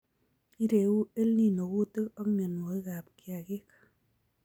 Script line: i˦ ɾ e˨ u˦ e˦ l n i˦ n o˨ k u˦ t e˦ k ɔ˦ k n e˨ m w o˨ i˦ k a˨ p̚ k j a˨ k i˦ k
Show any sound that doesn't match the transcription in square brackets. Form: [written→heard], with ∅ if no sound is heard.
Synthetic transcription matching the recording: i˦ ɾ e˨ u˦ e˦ l n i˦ n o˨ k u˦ t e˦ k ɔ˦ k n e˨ [m→n] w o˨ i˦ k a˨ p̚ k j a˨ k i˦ k